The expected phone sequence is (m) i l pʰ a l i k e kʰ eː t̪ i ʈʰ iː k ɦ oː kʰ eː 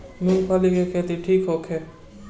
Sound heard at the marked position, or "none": m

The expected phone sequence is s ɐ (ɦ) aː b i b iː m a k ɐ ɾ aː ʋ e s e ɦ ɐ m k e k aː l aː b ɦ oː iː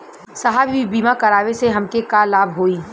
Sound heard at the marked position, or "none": ɦ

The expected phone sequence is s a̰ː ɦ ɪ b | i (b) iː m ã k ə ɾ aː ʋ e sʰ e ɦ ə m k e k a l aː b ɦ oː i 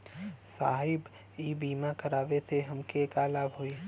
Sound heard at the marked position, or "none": b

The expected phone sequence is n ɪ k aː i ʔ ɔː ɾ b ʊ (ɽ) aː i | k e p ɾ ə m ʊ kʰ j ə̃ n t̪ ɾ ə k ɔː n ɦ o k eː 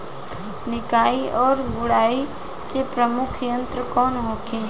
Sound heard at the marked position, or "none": ɽ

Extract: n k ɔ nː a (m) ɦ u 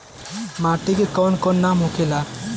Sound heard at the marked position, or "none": m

